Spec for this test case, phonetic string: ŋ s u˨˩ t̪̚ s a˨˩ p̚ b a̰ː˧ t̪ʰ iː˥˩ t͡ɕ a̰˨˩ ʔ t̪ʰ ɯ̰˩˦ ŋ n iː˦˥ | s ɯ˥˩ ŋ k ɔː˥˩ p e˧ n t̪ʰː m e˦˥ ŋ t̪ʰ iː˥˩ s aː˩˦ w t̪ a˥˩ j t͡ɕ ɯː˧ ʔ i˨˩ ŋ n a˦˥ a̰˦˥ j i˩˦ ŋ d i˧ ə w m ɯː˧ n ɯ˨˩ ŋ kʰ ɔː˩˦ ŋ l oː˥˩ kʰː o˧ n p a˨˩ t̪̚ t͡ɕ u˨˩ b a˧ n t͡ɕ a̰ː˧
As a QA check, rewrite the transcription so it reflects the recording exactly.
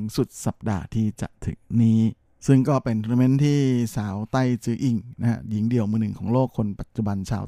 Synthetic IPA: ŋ s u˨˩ t̪̚ s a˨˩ p̚ d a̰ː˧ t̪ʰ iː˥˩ t͡ɕ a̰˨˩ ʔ t̪ʰ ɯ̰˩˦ ŋ n iː˦˥ | s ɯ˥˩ ŋ k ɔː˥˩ p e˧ n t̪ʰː m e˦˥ n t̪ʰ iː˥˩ s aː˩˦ w t̪ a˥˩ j t͡ɕ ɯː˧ ʔ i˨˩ ŋ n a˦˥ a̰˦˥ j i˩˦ ŋ d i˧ ə w m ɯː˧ n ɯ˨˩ ŋ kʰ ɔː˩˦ ŋ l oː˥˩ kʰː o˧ n p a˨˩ t̪̚ t͡ɕ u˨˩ b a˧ n t͡ɕʰ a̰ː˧